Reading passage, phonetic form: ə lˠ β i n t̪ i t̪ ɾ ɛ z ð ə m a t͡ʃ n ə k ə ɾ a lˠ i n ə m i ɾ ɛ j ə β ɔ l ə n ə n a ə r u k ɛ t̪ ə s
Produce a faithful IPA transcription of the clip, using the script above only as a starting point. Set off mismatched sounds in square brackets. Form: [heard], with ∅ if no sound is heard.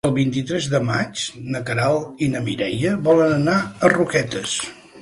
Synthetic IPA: ə lˠ β i n t̪ i t̪ ɾ ɛ z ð ə m a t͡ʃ n ə k ə ɾ a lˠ i n ə m i ɾ ɛ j ə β ɔ l ə n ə n a ə r u k ɛ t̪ ə s

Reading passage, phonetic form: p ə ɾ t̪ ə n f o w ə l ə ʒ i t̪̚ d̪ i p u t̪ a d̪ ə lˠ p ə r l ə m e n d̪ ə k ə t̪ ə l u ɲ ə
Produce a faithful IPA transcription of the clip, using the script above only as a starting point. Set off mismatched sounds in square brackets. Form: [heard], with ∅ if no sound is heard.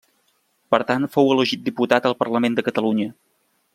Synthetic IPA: p ə ɾ t̪ [a] n f o w ə l ə ʒ i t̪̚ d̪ i p u t̪ a [t̪] ə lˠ p ə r l ə m e n d̪ ə k ə t̪ ə l u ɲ ə

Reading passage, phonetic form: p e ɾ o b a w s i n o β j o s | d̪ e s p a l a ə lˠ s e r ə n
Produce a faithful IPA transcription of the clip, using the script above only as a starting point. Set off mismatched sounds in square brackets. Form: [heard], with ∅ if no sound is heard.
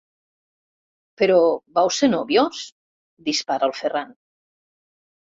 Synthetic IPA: p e ɾ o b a w s [e] n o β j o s | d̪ [i] s p a [ɾ] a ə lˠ [f] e r [a] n

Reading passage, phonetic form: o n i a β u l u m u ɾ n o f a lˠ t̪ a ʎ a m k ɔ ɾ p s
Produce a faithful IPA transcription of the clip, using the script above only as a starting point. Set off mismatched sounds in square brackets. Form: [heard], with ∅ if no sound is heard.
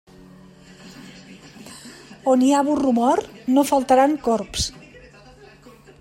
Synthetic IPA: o n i a β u [r] u m [ɔ] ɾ n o f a lˠ t̪ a [ɾ] a [ŋ] k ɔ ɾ p s

